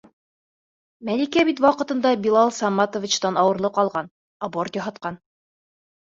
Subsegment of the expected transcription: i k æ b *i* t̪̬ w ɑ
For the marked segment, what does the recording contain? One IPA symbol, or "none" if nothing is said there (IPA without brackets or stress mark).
i